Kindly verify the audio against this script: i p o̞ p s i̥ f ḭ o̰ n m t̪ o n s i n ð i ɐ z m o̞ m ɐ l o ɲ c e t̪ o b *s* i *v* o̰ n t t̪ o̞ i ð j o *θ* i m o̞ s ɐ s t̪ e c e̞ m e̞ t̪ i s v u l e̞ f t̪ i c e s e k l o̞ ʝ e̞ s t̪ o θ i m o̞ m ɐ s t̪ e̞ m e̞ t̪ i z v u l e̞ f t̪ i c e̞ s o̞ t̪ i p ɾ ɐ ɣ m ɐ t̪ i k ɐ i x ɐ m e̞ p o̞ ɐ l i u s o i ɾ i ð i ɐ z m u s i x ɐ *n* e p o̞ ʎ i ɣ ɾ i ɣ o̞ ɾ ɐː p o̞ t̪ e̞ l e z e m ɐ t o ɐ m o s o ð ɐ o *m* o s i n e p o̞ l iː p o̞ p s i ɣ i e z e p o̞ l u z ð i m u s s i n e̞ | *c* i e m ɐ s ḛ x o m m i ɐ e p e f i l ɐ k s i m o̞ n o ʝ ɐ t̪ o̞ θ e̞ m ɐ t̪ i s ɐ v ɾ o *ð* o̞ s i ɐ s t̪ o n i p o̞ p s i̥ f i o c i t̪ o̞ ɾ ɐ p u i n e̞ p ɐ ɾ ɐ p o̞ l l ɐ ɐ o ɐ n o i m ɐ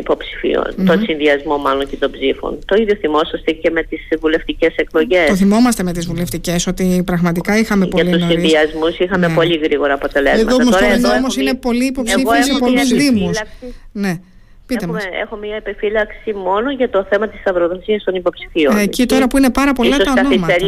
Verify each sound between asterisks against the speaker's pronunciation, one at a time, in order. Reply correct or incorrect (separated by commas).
incorrect, incorrect, correct, incorrect, correct, incorrect, correct